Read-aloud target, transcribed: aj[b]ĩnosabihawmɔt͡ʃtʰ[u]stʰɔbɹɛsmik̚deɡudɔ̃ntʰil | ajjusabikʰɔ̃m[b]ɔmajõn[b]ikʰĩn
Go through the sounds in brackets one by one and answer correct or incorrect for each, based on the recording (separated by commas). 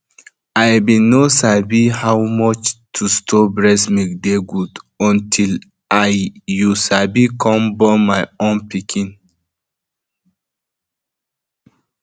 correct, correct, correct, incorrect